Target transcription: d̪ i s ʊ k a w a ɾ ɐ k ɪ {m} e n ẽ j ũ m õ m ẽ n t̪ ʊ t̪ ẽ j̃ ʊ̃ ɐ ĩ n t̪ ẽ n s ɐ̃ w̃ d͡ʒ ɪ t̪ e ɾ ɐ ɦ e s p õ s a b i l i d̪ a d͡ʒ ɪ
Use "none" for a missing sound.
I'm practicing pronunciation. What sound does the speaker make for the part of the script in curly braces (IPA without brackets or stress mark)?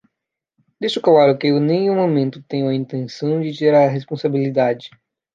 none